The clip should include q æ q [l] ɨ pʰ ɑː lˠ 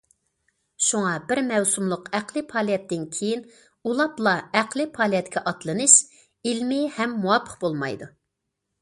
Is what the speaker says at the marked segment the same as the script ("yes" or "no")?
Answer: yes